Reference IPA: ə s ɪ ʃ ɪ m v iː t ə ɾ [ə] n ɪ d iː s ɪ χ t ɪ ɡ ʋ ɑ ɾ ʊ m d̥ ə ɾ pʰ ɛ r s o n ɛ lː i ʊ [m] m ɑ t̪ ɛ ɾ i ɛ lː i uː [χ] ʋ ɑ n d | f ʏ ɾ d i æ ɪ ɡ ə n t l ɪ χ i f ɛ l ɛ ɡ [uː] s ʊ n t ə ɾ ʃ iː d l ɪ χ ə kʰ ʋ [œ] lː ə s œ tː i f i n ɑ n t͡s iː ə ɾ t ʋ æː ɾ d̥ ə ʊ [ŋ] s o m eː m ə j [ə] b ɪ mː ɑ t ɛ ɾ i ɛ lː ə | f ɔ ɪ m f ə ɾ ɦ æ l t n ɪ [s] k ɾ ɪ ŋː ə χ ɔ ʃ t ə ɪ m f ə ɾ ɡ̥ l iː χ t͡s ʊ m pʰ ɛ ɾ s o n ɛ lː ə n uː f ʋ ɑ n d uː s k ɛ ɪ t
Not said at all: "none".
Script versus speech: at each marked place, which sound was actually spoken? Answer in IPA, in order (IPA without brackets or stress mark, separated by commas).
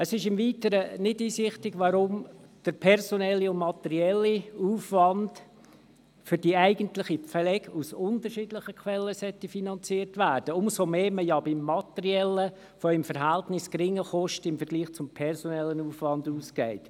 ə, n, f, u, ɛ, m, ɑ, s